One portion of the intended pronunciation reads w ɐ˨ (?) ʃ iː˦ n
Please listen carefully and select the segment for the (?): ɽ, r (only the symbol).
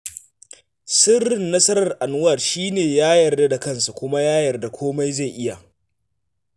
r